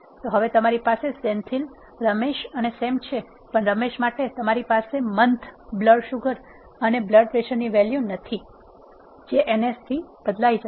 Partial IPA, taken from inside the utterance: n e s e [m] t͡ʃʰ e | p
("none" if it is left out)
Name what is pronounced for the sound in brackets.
m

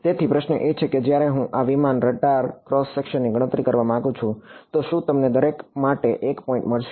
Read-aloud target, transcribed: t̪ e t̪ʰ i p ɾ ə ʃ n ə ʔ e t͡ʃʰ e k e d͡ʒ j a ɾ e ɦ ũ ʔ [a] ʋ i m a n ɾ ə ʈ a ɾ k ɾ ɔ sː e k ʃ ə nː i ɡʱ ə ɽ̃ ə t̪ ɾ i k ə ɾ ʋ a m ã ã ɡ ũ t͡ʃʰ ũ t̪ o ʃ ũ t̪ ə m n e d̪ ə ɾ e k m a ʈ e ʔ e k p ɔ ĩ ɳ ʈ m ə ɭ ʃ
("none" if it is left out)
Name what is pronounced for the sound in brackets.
a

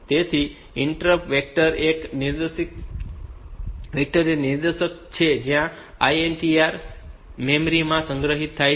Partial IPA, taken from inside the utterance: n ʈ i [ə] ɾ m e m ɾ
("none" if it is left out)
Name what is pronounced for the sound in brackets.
a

